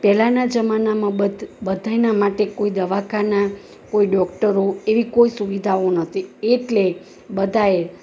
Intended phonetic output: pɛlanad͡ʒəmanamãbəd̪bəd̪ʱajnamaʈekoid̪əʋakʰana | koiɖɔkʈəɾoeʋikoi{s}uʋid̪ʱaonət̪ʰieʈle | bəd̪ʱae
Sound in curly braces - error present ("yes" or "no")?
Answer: no